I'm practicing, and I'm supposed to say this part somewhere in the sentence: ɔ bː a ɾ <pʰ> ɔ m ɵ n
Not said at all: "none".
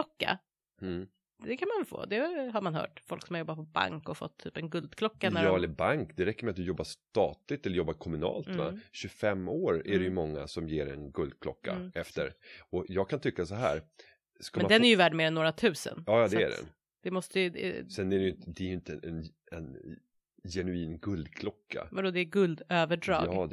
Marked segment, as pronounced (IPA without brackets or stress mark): kʰ